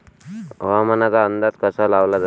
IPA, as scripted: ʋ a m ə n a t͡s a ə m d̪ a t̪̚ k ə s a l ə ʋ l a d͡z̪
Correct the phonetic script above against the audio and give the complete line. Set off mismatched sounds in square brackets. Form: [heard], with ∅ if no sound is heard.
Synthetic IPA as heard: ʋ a m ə n a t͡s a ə [n] d̪ a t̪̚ k ə s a l [a] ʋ l a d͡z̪